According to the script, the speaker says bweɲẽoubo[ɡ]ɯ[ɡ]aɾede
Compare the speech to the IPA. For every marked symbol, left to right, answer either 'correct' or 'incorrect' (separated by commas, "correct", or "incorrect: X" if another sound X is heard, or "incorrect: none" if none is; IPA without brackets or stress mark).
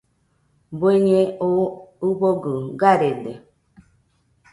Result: correct, correct